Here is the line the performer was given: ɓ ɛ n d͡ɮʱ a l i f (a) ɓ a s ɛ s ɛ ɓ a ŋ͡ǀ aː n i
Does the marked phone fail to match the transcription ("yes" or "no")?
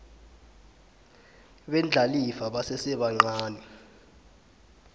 no